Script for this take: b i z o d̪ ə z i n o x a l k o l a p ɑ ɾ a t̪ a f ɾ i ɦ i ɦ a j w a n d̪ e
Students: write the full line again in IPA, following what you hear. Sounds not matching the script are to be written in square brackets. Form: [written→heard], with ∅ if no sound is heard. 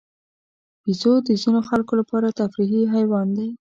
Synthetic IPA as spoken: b i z o d̪ ə z i n o x a l k o l a p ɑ ɾ a t̪ a f ɾ i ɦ i ɦ a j w [a→ɑ] n d̪ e